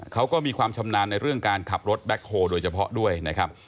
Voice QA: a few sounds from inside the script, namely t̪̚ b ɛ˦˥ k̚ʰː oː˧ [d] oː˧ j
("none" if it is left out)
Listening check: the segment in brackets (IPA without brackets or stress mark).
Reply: d